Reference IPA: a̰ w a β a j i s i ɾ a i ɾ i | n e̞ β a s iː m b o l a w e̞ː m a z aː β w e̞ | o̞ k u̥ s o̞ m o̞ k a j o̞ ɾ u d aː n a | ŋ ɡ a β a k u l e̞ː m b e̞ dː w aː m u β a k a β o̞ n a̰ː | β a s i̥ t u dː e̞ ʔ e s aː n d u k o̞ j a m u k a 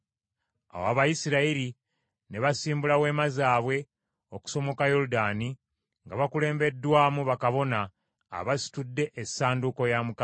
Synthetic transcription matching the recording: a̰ w a β a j i s i ɾ a i ɾ i | n e̞ β a s iː m b u l a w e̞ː m a z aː β w e̞ | o̞ k u̥ s o̞ m o̞ k a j o̞ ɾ u d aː n i | ŋ ɡ a β a k u l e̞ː m b e̞ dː w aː m u β a k a β o̞ n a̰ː | β a s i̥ t u dː e̞ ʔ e s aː n d u k o̞ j a m u k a